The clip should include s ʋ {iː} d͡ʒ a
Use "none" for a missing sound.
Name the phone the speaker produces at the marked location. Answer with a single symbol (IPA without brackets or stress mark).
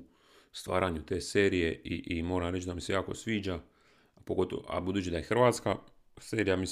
iː